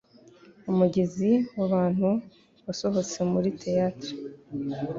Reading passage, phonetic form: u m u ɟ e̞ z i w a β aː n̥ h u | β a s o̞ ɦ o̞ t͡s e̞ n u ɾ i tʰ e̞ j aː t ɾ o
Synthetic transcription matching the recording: u m u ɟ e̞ z i w a β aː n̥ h u | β a s o̞ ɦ o̞ t͡s e̞ m u ɾ i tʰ e̞ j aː t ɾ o